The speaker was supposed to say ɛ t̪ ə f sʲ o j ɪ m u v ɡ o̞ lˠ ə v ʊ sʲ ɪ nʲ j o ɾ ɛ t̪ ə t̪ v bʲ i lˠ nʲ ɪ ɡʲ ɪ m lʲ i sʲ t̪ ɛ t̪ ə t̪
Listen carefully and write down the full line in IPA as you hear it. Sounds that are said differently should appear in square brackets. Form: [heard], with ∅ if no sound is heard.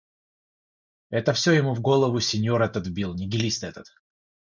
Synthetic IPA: ɛ t̪ ə f sʲ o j ɪ m u v ɡ o̞ lˠ ə v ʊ sʲ ɪ nʲ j o ɾ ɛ t̪ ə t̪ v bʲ i lˠ nʲ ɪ ɡʲ ɪ [∅] lʲ i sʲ t̪ ɛ t̪ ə t̪